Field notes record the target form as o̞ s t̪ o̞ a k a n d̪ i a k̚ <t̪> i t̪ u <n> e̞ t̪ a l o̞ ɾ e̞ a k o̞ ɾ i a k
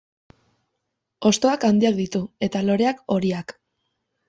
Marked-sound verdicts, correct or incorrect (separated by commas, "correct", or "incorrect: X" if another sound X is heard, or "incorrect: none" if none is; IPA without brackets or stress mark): incorrect: d̪, incorrect: none